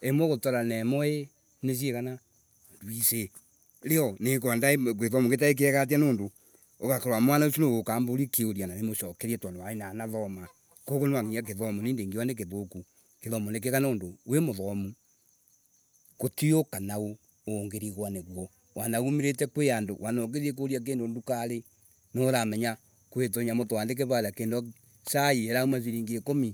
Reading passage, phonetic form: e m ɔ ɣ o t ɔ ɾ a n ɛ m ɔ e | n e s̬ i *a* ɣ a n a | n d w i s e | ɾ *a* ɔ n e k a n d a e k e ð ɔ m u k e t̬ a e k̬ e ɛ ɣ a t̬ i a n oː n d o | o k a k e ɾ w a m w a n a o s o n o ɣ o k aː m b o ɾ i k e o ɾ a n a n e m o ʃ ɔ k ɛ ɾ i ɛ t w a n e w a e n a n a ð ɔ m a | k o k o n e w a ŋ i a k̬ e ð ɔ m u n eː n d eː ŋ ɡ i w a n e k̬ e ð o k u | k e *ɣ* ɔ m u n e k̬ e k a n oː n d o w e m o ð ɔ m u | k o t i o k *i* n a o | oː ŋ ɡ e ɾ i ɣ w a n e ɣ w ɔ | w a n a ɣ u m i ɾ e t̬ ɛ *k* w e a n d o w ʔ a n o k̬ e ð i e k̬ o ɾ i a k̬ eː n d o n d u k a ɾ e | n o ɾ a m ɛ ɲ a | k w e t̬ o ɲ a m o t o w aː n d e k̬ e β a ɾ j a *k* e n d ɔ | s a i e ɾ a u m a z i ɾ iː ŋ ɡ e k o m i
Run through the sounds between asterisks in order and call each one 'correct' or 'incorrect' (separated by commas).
incorrect, incorrect, incorrect, incorrect, correct, correct